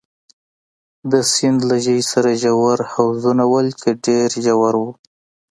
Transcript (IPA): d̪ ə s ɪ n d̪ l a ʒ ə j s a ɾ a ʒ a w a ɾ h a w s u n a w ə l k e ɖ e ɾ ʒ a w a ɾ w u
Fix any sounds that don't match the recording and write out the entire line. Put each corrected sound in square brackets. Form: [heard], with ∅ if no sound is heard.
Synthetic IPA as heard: d̪ ə s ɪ n d̪ l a ʒ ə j s a ɾ a ʒ a w a ɾ h a w [z] u n a w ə l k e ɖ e ɾ ʒ a w a ɾ w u